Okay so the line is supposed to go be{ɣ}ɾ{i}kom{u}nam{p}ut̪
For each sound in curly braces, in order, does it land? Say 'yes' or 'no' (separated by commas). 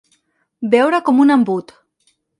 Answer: no, no, yes, no